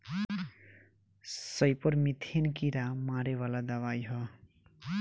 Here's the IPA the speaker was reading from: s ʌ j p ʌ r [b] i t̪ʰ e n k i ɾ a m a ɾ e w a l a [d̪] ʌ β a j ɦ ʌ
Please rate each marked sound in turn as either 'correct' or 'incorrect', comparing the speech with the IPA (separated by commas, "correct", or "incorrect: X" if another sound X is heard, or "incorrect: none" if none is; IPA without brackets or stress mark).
incorrect: m, correct